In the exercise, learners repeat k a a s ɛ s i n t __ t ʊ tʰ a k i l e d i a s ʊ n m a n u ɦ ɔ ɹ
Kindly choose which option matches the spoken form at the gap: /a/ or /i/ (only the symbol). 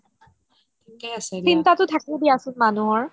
a